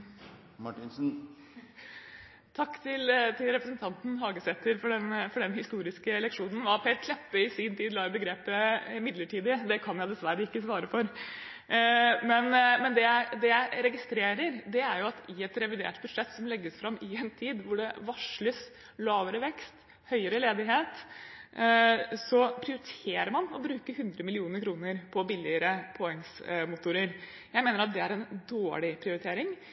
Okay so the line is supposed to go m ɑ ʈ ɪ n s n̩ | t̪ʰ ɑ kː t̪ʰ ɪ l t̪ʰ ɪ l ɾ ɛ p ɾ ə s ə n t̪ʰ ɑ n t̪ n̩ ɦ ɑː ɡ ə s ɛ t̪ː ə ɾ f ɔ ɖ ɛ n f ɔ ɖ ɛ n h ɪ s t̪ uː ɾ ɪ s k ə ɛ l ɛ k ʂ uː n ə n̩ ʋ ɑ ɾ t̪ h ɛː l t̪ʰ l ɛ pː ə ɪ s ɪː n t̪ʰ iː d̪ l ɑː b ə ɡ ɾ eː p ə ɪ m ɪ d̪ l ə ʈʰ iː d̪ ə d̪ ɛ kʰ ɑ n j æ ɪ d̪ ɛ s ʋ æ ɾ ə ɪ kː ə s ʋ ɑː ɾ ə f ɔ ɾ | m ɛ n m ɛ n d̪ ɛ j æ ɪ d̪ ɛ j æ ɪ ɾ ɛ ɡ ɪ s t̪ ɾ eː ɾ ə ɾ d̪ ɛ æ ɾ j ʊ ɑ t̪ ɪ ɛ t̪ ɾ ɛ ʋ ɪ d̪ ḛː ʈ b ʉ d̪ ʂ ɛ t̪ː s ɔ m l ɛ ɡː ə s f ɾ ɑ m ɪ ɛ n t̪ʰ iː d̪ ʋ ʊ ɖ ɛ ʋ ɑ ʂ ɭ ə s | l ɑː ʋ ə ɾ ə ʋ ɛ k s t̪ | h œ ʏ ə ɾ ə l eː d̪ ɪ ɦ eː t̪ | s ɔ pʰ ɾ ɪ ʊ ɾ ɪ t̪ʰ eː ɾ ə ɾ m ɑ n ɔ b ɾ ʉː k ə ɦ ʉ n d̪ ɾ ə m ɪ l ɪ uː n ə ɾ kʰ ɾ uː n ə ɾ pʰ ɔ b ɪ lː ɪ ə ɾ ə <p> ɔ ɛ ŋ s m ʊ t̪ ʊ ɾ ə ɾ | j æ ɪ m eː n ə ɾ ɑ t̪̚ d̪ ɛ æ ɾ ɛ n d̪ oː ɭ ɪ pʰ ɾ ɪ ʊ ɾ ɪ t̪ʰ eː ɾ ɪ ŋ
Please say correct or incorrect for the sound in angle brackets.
incorrect